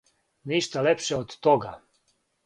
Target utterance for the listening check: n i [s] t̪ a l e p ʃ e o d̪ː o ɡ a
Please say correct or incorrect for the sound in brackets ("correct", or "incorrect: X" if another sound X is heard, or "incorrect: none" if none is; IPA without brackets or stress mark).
incorrect: ʃ